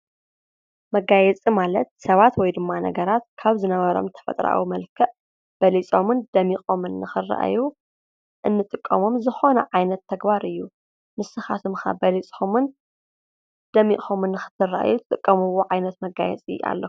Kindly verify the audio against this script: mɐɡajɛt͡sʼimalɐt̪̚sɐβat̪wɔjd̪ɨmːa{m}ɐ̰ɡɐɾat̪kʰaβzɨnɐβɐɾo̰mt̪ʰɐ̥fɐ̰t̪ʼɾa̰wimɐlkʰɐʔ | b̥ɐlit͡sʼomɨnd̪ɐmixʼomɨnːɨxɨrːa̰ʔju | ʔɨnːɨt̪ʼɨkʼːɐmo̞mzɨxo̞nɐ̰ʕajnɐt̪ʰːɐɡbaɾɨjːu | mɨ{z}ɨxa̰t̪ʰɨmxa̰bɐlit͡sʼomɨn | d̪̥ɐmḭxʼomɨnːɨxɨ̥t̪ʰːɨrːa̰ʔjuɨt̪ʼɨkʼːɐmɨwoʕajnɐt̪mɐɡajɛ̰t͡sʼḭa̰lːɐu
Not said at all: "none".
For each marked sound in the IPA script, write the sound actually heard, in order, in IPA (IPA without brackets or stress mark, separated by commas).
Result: n, s